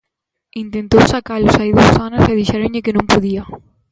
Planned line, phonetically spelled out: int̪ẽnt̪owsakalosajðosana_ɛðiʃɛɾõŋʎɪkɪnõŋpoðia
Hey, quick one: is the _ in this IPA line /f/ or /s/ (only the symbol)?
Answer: s